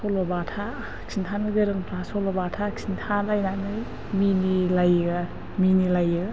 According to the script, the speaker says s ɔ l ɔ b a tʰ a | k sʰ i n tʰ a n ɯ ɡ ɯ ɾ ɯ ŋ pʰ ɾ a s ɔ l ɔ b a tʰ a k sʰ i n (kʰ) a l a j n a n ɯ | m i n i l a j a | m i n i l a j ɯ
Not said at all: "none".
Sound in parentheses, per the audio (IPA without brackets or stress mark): tʰ